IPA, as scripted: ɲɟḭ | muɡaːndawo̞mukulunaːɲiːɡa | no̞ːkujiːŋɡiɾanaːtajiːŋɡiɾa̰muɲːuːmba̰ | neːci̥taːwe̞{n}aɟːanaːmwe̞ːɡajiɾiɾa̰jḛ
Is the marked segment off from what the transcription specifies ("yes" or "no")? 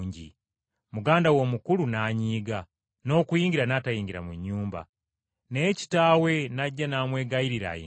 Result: no